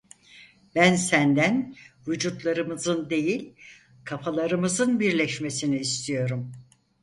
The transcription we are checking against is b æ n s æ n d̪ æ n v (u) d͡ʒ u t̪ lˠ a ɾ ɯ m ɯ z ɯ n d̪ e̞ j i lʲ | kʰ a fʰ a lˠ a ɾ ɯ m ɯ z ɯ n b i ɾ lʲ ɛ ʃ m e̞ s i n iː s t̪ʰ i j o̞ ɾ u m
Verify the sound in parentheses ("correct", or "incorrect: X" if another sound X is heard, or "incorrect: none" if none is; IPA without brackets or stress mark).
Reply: correct